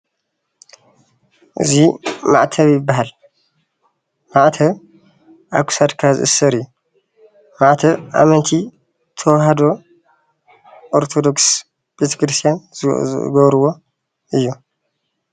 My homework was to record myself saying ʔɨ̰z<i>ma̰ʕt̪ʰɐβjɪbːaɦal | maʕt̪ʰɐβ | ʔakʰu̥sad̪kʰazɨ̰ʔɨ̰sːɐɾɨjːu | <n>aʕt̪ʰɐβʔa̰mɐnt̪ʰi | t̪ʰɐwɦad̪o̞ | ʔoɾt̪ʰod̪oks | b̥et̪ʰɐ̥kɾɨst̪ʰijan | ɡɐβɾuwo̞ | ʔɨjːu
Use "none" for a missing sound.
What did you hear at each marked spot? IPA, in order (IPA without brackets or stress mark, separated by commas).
i, m